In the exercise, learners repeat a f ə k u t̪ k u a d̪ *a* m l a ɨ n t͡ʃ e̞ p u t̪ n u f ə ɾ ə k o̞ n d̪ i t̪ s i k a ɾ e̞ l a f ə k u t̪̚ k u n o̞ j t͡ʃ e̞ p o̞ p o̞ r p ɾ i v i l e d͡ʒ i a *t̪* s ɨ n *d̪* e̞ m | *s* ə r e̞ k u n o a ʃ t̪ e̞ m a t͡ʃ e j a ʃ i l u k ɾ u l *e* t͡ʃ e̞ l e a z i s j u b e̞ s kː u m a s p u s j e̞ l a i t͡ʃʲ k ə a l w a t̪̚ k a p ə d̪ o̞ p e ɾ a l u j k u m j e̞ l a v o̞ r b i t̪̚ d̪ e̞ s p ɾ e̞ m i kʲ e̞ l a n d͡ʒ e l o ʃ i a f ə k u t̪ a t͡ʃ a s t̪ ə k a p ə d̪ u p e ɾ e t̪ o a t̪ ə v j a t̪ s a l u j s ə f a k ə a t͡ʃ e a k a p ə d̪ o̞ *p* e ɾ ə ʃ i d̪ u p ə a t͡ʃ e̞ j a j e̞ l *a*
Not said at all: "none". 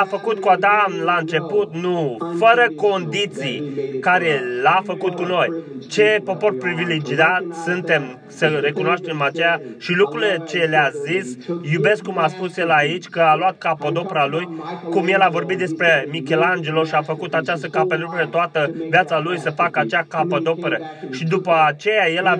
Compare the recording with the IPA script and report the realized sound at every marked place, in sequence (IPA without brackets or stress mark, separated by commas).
a, t̪, t̪, s, e, p, a